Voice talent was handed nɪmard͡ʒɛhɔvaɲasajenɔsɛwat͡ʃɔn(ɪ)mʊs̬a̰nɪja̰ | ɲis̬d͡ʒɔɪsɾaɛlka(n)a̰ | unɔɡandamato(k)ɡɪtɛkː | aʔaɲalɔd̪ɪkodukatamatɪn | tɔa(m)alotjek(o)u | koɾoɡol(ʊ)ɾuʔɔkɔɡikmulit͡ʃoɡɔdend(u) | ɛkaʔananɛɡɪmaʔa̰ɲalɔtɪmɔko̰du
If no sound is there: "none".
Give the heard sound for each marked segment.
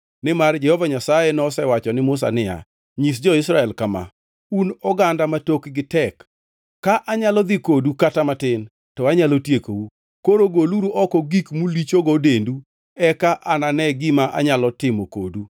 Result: ɪ, m, k, ɲ, o, u, u

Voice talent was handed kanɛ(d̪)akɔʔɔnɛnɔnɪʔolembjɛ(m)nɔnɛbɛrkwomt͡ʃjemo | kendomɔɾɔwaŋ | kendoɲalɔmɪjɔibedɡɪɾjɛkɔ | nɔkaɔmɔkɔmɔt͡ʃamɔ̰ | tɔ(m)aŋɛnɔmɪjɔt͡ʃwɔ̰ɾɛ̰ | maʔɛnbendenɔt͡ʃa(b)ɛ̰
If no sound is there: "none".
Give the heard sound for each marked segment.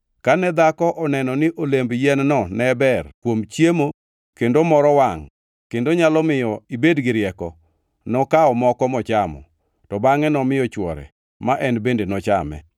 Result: d̪, n, b, m

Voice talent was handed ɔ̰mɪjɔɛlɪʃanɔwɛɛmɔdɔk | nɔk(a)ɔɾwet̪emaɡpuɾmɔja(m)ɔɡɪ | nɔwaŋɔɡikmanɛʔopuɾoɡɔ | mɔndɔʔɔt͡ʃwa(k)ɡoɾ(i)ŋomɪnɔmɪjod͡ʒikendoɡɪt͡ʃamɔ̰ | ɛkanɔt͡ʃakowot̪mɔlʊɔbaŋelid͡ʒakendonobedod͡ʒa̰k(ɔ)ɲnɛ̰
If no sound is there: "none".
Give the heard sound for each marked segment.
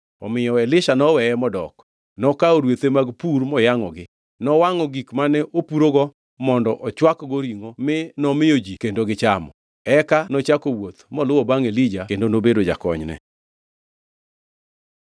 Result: a, ŋ, k, i, ɔ

